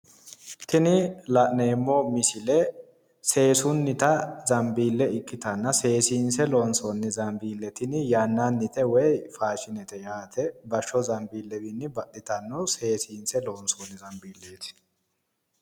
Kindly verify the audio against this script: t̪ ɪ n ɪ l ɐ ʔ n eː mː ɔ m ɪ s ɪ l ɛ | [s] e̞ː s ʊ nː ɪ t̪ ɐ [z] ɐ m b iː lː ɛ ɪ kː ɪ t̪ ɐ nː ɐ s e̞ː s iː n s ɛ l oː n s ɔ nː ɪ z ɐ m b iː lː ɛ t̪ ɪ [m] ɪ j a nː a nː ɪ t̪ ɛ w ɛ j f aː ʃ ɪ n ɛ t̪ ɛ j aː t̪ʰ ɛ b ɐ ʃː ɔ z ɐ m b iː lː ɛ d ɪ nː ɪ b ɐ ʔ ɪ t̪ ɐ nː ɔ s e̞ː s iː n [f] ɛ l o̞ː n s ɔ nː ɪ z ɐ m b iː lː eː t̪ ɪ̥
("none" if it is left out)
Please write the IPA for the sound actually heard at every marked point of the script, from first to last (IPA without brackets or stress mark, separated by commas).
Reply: s, z, n, s